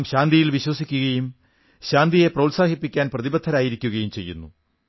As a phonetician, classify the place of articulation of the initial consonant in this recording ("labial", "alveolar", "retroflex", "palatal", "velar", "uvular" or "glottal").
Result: labial